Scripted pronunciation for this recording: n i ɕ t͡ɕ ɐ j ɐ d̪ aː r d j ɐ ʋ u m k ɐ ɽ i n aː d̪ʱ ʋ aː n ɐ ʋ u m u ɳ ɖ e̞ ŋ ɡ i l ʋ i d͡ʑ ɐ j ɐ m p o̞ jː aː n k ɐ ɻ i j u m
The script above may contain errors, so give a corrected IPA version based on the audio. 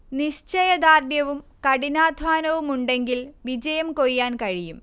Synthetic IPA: n i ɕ t͡ɕ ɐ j ɐ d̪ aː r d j ɐ ʋ u m k ɐ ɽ i n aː d̪ʱ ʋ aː n ɐ ʋ u m u ɳ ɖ e̞ ŋ ɡ i l ʋ i d͡ʑ ɐ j ɐ m k o̞ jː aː n k ɐ ɻ i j u m